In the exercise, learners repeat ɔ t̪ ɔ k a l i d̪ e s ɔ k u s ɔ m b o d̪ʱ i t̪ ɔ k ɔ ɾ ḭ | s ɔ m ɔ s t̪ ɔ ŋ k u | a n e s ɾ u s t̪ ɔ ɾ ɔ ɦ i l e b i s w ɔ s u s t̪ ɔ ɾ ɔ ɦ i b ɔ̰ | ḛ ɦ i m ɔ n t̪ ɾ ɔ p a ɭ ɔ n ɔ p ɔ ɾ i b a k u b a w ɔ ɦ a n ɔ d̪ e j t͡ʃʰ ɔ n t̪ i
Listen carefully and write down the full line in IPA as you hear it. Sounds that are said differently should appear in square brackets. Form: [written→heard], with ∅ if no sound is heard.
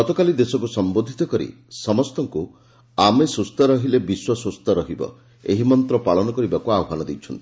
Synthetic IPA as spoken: ɔ t̪ ɔ k a l i d̪ e s ɔ k u s ɔ m b o d̪ʱ i t̪ ɔ k ɔ ɾ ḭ | s ɔ m ɔ s t̪ ɔ ŋ k u | a [n→m] e s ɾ u s t̪ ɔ ɾ ɔ ɦ i l e b i s w ɔ s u s t̪ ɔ ɾ ɔ ɦ i b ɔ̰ | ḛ ɦ i m ɔ n t̪ ɾ ɔ p a ɭ ɔ n ɔ [p→k] ɔ ɾ i b a k u [b→∅] a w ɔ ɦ a n ɔ d̪ e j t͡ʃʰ ɔ n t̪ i

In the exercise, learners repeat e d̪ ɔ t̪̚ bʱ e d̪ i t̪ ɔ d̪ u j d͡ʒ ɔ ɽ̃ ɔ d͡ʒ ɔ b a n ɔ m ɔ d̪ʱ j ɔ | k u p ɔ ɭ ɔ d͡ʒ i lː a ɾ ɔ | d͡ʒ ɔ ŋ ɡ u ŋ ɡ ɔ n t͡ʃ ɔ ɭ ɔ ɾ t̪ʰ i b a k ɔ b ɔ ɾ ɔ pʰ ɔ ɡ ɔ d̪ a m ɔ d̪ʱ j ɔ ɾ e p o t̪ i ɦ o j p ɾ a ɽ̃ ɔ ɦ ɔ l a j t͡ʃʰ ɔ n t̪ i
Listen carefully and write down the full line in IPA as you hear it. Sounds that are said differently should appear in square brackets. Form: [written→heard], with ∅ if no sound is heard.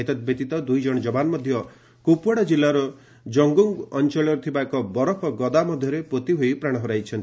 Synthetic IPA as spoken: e [d̪→t̪] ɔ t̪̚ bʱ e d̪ i t̪ ɔ d̪ u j d͡ʒ ɔ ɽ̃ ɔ d͡ʒ ɔ b a n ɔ m ɔ d̪ʱ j ɔ | k u p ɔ [ɭ→ɽ] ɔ d͡ʒ i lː a ɾ ɔ | d͡ʒ ɔ ŋ ɡ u ŋ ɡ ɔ n t͡ʃ ɔ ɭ ɔ ɾ t̪ʰ i b a k ɔ b ɔ ɾ ɔ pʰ ɔ ɡ ɔ d̪ a m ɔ d̪ʱ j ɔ ɾ e p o t̪ i ɦ o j p ɾ a ɽ̃ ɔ ɦ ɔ [l→ɾ] a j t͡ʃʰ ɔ n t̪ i

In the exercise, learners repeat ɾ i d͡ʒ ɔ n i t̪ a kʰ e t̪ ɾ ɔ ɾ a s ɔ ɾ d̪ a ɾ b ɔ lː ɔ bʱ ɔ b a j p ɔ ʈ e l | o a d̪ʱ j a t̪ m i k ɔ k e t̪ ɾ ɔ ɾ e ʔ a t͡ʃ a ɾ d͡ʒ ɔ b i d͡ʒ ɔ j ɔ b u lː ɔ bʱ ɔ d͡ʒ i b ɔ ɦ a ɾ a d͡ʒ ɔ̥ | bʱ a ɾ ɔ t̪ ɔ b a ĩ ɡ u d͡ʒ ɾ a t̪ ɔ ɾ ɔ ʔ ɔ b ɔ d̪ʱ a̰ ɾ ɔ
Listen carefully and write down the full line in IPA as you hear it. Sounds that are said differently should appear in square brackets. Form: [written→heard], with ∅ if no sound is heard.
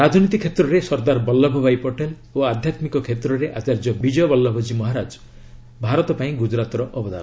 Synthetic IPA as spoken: ɾ [i→a] d͡ʒ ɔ n i t̪ [a→i] kʰ e t̪ ɾ ɔ ɾ [a→e] s ɔ ɾ d̪ a ɾ b ɔ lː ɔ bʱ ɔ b a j p ɔ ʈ e l | o a d̪ʱ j a t̪ m i k ɔ [k→kʰ] e t̪ ɾ ɔ ɾ e ʔ a t͡ʃ a ɾ d͡ʒ ɔ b i d͡ʒ ɔ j ɔ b [u→ɔ] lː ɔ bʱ ɔ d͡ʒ i [b→m] ɔ ɦ a ɾ a d͡ʒ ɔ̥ | bʱ a ɾ ɔ t̪ ɔ [b→p] a ĩ ɡ u d͡ʒ ɾ a t̪ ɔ ɾ ɔ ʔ ɔ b ɔ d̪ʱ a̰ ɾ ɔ

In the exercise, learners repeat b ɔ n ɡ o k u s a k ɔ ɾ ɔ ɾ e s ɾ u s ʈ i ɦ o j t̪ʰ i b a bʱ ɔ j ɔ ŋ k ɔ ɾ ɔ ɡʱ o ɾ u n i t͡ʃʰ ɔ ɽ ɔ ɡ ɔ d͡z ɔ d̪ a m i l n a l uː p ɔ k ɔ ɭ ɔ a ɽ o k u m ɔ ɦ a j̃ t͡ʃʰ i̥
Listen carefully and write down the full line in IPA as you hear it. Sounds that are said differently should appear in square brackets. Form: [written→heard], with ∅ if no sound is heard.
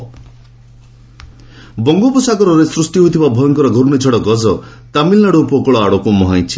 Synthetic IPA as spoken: b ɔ [n→ŋ] ɡ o [k→p] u s a k ɔ ɾ ɔ ɾ e s ɾ u s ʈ i ɦ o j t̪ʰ i b a bʱ ɔ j ɔ ŋ k ɔ ɾ ɔ ɡʱ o ɾ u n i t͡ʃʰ ɔ ɽ ɔ ɡ ɔ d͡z ɔ [d̪→t̪] a m i l n a [l→ɽ] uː p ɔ k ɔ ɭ ɔ a ɽ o k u m ɔ ɦ a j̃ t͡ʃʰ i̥

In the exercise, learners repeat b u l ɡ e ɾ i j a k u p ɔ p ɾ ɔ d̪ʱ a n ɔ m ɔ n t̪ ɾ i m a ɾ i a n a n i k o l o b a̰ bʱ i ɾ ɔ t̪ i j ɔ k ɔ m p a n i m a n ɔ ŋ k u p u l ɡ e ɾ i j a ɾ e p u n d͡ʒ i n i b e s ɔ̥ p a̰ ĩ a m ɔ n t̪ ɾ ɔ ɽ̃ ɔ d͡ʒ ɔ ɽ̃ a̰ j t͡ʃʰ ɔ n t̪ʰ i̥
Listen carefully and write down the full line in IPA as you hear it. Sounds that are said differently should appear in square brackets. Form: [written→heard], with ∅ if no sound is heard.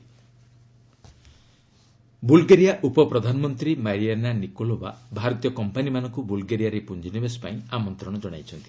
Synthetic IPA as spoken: b u l ɡ e ɾ i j a [k→ʔ] u p ɔ p ɾ ɔ d̪ʱ a n ɔ m ɔ n t̪ ɾ i m a ɾ i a n a n i k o l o b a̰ bʱ [i→a] ɾ ɔ t̪ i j ɔ k ɔ m p a n i m a n ɔ ŋ k u [p→b] u l ɡ e ɾ i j a ɾ e p u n d͡ʒ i n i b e s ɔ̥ p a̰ ĩ a m ɔ n t̪ ɾ ɔ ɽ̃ ɔ d͡ʒ ɔ ɽ̃ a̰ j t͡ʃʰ ɔ n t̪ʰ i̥

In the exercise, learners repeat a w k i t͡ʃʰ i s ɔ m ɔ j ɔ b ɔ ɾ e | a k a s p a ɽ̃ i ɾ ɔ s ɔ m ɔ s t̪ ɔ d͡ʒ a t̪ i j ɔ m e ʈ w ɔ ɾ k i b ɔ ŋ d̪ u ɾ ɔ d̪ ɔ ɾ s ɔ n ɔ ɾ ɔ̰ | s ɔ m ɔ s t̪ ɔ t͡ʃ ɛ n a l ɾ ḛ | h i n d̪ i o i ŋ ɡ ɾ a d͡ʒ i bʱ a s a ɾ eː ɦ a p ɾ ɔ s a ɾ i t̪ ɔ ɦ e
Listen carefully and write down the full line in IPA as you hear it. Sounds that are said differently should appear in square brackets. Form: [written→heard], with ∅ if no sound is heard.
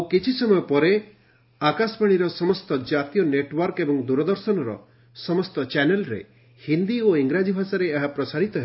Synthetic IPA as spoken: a w k i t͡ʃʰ i s ɔ m ɔ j ɔ [b→p] ɔ ɾ e | a k a s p a ɽ̃ i ɾ ɔ s ɔ m ɔ s t̪ ɔ d͡ʒ a t̪ i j ɔ [m→n] e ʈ w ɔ ɾ k [i→e] b ɔ ŋ d̪ u ɾ ɔ d̪ ɔ ɾ s ɔ n ɔ ɾ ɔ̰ | s ɔ m ɔ s t̪ ɔ t͡ʃ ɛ n [a→e] l ɾ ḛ | h i n d̪ i o i ŋ ɡ ɾ a d͡ʒ i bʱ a s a ɾ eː ɦ a p ɾ ɔ s a ɾ i t̪ ɔ ɦ e

